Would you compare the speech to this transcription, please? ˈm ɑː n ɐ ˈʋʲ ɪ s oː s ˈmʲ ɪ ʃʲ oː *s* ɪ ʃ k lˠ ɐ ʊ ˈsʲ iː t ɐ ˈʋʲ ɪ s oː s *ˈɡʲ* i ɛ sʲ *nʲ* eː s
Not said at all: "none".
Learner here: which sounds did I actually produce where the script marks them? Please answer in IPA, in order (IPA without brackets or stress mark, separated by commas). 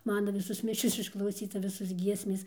s, ɡʲ, mʲ